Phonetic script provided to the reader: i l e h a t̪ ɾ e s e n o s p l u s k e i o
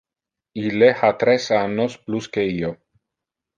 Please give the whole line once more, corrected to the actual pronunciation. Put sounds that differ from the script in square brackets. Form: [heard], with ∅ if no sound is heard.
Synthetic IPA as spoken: i l e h a t̪ ɾ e s [a] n o s p l u s k e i o